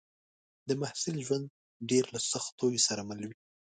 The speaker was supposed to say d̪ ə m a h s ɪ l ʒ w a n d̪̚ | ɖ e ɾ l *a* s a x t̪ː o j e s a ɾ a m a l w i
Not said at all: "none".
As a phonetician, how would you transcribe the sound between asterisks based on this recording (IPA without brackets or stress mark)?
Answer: a